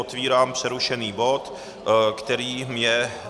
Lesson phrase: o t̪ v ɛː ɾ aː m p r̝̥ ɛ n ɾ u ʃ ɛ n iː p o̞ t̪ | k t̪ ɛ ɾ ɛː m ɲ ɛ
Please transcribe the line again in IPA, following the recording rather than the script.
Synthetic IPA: o t̪ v iː ɾ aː m p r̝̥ ɛ ɾ u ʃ ɛ n iː b o̞ t̪ | k t̪ ɛ ɾ iː m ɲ ɛ